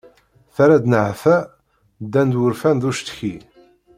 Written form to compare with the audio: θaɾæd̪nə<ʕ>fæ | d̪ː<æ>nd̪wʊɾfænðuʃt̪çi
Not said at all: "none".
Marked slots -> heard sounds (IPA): ʕ, æ

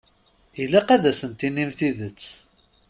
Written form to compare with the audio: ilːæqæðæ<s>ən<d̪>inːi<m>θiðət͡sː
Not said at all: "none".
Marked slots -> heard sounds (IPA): s, t̪, m

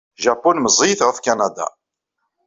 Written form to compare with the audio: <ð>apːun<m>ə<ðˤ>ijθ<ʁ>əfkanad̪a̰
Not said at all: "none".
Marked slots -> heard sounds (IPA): ʒ, m, zˤ, ʁ

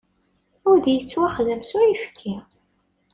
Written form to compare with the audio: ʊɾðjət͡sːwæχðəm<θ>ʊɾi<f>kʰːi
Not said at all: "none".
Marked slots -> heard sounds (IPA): s, f

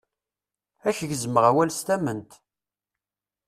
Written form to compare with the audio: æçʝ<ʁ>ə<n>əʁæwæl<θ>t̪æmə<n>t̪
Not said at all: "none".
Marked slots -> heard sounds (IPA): z, m, s, n

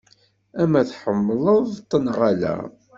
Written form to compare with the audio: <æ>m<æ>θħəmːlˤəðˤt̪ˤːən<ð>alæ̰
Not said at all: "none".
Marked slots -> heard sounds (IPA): æ, æ, ʁ

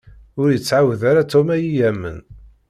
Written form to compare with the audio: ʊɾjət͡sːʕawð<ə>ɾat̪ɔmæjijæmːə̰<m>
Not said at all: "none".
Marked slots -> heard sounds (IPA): a, n

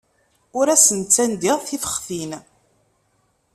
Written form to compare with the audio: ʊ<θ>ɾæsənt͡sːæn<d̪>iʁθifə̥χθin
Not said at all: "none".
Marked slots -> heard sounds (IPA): none, d̪

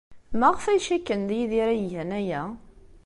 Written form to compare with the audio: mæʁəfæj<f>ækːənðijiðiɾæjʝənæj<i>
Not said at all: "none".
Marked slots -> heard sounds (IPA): ʃ, æ

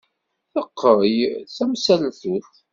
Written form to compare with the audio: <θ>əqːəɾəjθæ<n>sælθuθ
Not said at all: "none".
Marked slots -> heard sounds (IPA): θ, m

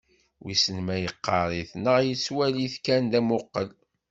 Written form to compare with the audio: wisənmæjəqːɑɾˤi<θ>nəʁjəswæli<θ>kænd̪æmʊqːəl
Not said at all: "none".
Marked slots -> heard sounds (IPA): θ, θ

